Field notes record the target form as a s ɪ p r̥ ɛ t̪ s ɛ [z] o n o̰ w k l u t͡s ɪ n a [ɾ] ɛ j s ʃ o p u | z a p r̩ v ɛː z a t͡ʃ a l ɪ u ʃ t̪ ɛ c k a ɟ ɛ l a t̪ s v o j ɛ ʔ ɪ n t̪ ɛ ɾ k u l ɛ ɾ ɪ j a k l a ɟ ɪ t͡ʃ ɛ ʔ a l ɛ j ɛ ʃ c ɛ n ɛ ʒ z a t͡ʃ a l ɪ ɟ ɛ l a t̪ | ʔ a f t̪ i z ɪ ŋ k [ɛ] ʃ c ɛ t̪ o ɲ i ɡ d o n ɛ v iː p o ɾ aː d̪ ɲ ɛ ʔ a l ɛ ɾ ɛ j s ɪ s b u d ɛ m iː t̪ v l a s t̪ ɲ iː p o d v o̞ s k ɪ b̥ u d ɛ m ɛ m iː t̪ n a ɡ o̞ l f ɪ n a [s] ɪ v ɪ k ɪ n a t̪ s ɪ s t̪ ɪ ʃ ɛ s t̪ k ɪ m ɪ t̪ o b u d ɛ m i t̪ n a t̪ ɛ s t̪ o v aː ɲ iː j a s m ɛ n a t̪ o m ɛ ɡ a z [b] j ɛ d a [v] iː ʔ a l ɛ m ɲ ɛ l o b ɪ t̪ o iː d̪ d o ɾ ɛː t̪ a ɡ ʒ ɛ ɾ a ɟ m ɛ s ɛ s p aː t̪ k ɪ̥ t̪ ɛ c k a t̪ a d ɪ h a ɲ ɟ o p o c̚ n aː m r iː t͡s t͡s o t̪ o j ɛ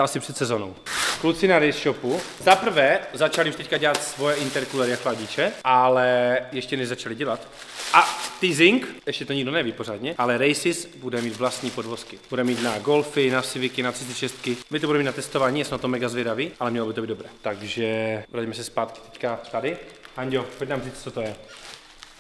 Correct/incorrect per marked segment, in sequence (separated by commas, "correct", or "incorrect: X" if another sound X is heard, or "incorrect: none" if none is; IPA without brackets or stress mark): correct, correct, correct, correct, incorrect: v, correct